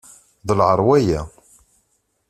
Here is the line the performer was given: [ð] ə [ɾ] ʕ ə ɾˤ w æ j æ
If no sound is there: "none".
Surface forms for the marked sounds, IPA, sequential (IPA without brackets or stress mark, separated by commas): ð, l